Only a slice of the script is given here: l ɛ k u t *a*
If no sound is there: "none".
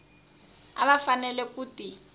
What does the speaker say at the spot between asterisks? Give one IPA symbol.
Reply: i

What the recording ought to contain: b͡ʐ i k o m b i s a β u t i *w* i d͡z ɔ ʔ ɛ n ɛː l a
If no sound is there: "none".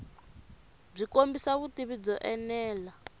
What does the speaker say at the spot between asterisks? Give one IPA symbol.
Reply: β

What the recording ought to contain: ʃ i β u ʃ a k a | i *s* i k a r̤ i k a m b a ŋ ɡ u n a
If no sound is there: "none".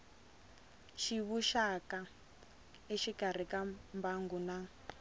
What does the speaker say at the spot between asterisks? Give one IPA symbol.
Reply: ʃ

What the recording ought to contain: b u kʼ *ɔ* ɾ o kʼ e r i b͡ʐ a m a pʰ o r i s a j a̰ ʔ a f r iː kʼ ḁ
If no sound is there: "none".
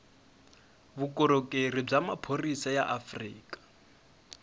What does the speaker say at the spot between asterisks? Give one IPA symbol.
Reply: ɔ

